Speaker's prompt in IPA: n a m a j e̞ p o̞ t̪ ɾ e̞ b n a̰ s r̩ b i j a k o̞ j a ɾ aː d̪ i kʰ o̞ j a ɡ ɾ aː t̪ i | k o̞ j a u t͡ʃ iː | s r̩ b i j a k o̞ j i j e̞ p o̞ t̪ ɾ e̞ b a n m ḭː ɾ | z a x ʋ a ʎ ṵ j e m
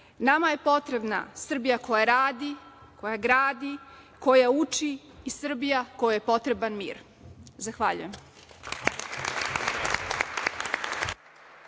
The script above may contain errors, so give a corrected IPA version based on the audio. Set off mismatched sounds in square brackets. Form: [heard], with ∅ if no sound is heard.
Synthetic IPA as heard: n a m a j e̞ p o̞ t̪ ɾ e̞ b n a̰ s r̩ b i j a k o̞ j a ɾ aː d̪ i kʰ o̞ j a ɡ ɾ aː [d̪] i | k o̞ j a u t͡ʃ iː | s r̩ b i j a k o̞ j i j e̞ p o̞ t̪ ɾ e̞ b a n m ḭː ɾ | z a x ʋ a ʎ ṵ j e m